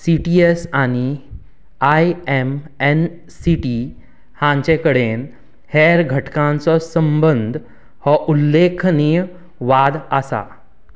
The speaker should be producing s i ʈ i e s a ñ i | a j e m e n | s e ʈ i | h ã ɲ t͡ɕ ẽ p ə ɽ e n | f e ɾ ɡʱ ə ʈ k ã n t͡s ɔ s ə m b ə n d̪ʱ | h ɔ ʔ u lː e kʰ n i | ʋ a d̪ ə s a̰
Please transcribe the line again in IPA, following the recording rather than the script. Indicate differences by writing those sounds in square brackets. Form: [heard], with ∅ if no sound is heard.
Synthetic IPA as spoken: s i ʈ i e s a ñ i | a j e m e n | s [i] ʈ i | h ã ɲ t͡ɕ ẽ [k] ə ɽ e n | [h] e ɾ ɡʱ ə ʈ k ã n t͡s ɔ s ə m b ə n d̪ʱ | h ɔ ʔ u lː e kʰ n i | ʋ a d̪ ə s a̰